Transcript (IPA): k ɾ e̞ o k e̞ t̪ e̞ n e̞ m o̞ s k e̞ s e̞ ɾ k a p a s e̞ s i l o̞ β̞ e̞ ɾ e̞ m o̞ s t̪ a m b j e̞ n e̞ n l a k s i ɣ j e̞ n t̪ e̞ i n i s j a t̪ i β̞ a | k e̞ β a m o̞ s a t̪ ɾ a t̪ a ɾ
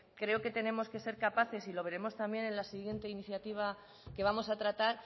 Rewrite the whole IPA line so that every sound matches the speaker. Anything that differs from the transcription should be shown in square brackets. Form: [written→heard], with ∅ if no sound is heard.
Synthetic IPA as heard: k ɾ e̞ o k e̞ t̪ e̞ n e̞ m o̞ s k e̞ s e̞ ɾ k a p a [s→θ] e̞ s i l o̞ β̞ e̞ ɾ e̞ m o̞ s t̪ a m b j e̞ n e̞ n l a [k→∅] s i ɣ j e̞ n t̪ e̞ i n i [s→θ] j a t̪ i β̞ a | k e̞ β a m o̞ s a t̪ ɾ a t̪ a ɾ